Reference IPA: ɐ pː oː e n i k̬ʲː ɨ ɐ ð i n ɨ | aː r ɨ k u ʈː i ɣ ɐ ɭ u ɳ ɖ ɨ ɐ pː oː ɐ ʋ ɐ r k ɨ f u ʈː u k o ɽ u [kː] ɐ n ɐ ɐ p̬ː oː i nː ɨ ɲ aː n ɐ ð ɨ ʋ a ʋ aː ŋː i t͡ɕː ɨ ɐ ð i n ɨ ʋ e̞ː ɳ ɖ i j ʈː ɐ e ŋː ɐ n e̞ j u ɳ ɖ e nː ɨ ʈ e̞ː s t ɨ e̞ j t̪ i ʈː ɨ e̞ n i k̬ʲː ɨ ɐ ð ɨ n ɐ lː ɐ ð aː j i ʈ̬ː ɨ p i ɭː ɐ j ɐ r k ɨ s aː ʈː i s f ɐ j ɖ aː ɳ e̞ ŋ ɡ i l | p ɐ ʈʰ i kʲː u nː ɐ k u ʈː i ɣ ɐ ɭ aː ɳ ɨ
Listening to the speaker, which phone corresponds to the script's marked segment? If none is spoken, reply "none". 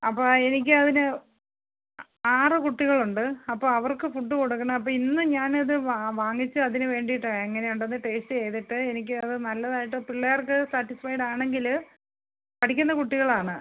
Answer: kː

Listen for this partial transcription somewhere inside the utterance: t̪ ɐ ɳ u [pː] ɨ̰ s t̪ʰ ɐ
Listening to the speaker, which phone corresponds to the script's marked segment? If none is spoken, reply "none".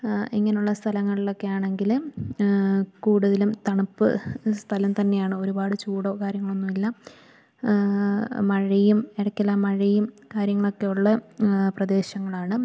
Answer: pː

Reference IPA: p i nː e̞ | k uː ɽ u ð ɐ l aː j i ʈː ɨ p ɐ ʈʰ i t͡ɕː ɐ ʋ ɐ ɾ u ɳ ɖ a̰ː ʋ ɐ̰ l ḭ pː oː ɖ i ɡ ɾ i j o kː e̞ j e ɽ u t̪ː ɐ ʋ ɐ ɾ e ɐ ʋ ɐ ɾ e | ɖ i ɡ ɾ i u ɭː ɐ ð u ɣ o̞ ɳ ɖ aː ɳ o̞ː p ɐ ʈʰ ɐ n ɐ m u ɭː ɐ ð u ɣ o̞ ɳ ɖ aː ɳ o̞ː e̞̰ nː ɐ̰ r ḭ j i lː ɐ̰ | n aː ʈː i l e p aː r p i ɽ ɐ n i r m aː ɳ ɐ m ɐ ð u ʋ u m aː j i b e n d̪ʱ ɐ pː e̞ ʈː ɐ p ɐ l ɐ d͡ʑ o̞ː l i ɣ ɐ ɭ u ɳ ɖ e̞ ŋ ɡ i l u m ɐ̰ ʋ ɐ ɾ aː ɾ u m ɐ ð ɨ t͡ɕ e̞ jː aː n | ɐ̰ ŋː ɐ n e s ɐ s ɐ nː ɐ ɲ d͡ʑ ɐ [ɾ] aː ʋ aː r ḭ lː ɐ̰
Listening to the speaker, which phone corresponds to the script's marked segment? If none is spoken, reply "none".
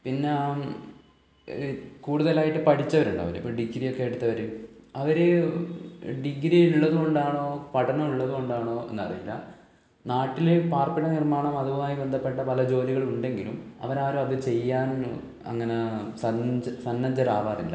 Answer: ɾ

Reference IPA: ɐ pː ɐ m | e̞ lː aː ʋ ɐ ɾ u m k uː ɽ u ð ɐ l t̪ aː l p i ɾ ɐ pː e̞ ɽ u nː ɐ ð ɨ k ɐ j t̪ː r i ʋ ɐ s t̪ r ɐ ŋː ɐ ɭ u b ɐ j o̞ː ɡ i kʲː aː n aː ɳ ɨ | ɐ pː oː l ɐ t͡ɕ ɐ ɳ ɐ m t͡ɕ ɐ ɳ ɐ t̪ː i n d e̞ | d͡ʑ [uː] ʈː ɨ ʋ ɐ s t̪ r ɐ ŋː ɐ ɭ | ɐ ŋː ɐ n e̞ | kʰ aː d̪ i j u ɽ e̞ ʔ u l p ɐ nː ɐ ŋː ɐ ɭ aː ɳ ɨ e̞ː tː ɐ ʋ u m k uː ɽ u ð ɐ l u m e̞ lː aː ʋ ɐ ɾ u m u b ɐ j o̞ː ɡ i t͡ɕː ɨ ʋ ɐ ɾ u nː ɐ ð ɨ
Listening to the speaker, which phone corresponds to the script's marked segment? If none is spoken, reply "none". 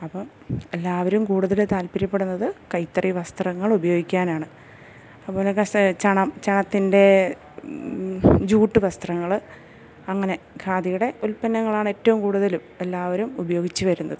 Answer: uː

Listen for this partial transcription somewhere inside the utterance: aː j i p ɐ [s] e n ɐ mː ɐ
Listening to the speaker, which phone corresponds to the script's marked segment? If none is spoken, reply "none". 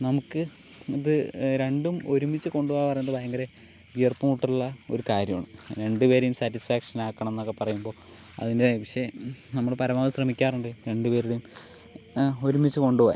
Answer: ʂ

